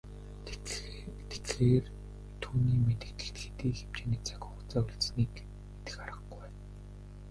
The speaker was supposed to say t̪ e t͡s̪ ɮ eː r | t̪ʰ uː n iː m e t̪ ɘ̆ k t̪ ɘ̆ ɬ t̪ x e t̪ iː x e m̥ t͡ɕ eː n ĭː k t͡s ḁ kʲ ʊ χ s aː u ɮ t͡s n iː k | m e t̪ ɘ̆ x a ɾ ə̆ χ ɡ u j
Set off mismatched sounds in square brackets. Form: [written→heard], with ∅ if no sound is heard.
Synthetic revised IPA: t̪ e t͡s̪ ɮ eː r | t̪ʰ uː n iː m e t̪ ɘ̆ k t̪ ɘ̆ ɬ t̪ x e t̪ iː x e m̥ t͡ɕ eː n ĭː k t͡s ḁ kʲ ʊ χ [s→t͡s] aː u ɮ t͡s n iː k | m e t̪ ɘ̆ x a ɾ ə̆ χ ɡ u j